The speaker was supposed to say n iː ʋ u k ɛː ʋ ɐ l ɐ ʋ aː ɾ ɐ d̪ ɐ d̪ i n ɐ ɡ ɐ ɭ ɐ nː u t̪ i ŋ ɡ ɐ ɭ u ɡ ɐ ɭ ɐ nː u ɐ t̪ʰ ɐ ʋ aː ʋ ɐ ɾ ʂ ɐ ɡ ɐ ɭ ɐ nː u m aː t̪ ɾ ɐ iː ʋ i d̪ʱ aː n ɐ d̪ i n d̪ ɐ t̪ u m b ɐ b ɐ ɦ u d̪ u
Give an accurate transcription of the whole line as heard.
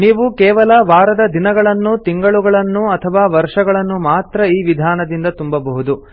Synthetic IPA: n iː ʋ u k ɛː ʋ ɐ l ɐ ʋ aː ɾ ɐ d̪ ɐ d̪ i n ɐ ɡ ɐ ɭ ɐ nː u t̪ i ŋ ɡ ɐ ɭ u ɡ ɐ ɭ ɐ nː u ɐ t̪ʰ ɐ ʋ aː ʋ ɐ ɾ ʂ ɐ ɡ ɐ ɭ ɐ nː u m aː t̪ ɾ ɐ iː ʋ i d̪ʱ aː n ɐ d̪ i n d̪ ɐ t̪ u m b ɐ b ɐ ɦ u d̪ u